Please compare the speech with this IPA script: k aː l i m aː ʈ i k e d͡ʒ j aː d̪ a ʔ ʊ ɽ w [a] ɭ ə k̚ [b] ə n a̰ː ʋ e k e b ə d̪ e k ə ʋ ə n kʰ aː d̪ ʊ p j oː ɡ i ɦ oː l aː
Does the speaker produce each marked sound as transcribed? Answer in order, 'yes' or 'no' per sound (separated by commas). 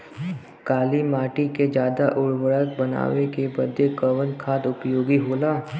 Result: no, yes